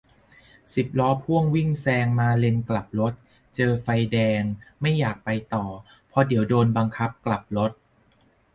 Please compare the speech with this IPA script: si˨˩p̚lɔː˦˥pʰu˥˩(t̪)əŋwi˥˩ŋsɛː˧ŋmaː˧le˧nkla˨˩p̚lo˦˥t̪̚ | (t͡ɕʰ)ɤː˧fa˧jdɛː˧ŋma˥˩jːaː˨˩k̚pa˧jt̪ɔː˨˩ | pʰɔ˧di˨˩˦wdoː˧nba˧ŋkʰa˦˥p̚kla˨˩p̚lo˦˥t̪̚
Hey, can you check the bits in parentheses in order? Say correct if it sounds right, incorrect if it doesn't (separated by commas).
incorrect, incorrect